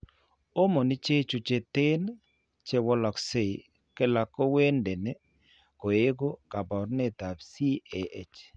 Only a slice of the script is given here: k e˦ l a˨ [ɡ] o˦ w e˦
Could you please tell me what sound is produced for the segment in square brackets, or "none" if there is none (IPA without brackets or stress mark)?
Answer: k